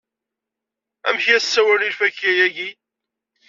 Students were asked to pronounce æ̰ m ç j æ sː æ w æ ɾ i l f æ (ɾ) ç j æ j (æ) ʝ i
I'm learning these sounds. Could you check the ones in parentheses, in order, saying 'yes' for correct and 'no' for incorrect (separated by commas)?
no, yes